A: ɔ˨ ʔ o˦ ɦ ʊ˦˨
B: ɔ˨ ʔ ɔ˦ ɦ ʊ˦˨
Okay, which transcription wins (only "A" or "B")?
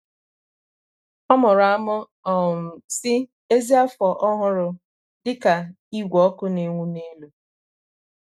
B